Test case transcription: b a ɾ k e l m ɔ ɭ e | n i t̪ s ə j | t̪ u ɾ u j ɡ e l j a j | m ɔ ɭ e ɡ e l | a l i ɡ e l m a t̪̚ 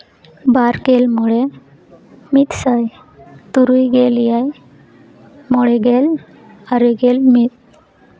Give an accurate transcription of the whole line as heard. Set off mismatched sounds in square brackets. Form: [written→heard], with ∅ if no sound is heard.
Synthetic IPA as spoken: b a ɾ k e l m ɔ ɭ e | [n→m] i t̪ s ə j | t̪ u ɾ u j ɡ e l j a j | m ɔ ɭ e ɡ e l | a [l→ɾ] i ɡ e l m [a→i] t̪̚